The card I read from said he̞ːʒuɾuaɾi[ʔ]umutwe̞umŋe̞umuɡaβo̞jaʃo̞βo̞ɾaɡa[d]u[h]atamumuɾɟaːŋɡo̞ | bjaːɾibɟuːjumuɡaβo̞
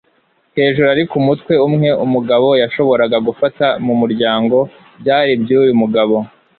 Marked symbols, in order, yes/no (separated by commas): no, no, no